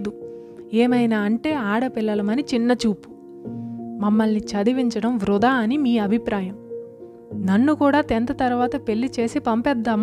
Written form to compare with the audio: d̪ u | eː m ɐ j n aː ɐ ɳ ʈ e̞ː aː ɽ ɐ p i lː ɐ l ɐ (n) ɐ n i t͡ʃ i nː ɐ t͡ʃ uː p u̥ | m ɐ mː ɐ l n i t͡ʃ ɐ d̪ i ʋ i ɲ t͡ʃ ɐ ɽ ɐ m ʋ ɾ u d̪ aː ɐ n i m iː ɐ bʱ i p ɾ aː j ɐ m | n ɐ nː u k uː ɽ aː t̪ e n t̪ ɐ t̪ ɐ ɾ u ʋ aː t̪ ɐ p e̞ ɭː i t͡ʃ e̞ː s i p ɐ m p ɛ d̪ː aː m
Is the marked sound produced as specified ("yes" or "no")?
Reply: no